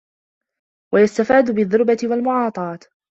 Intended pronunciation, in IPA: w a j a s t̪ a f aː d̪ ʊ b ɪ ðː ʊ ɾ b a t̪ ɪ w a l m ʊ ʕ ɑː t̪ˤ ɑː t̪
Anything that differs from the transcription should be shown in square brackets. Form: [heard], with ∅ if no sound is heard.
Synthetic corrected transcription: w a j a s t̪ a f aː d̪ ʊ b ɪ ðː ʊ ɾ b a t̪ ɪ w a l m ʊ ʕ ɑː t̪ˤ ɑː t̪